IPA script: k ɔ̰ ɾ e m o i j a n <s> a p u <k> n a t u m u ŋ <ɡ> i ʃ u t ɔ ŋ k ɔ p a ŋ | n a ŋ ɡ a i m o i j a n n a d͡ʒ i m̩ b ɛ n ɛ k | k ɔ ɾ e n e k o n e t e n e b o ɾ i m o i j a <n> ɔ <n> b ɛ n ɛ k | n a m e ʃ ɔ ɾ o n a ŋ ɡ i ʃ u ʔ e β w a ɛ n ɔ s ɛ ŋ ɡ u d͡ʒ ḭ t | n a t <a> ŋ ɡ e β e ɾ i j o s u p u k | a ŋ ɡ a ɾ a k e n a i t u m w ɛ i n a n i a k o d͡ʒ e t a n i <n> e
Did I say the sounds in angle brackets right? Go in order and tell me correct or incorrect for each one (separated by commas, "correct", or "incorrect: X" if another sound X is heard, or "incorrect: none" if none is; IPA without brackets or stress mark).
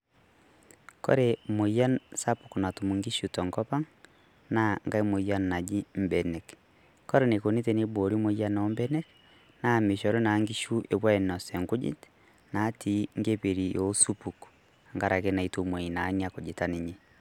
correct, correct, correct, correct, incorrect: m, incorrect: i, incorrect: ɲ